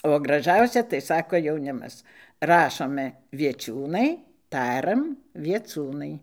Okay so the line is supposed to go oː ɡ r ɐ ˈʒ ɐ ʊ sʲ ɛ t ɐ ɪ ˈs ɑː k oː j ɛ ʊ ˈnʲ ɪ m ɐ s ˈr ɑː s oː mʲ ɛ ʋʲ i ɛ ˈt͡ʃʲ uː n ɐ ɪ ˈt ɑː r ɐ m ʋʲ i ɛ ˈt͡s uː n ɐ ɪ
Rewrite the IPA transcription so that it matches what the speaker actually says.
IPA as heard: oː ɡ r ɐ ˈʒ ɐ ʊ sʲ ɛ t ɐ ɪ ˈs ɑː k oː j ɛ ʊ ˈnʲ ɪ m ɐ s ˈr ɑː ʃ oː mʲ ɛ ʋʲ i ɛ ˈt͡ʃʲ uː n ɐ ɪ ˈt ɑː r ɐ m ʋʲ i ɛ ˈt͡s uː n ɐ ɪ